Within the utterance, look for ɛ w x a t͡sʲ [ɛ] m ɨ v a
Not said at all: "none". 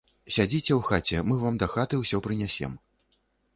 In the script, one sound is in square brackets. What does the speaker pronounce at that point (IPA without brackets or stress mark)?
ɛ